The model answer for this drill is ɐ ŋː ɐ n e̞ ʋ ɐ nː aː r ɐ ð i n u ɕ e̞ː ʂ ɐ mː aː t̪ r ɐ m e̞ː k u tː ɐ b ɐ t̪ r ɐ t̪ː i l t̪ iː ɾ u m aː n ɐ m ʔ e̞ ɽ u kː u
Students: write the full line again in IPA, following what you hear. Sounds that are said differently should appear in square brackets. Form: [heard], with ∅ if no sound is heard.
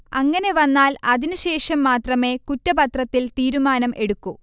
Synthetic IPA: ɐ ŋː ɐ n e̞ ʋ ɐ nː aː [l] ɐ ð i n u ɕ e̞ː ʂ ɐ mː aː t̪ r ɐ m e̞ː k u tː ɐ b ɐ t̪ r ɐ t̪ː i l t̪ iː ɾ u m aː n ɐ m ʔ e̞ ɽ u kː u